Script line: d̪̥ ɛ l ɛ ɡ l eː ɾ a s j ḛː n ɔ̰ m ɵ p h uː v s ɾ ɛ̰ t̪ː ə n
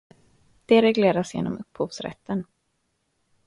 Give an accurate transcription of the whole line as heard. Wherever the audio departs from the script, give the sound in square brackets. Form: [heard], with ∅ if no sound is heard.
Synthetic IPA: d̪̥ ɛ [ɾ] ɛ ɡ l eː ɾ a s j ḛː n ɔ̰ m ɵ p h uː v s ɾ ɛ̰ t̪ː ə n